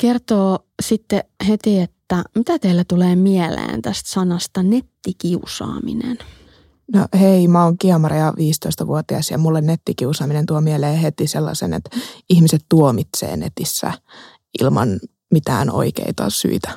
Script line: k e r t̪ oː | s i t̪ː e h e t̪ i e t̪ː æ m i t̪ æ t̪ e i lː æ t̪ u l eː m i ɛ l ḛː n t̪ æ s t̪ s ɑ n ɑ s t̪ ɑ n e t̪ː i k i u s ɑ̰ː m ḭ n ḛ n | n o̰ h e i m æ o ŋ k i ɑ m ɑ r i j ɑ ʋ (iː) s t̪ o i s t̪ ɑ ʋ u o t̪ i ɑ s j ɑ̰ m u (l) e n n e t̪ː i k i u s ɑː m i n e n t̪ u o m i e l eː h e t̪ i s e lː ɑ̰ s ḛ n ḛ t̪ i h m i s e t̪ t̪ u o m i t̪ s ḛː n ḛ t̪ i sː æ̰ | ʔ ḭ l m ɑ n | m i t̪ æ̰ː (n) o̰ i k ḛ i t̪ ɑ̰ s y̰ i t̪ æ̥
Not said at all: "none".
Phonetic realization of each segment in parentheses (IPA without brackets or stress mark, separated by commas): iː, lː, n